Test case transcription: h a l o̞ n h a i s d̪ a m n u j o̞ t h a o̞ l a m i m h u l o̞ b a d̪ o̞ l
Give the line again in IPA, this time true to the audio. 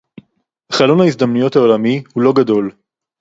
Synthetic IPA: χ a l o̞ n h a i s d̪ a m n u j o̞ t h a o̞ l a m i h u l o̞ ɡ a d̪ o̞ l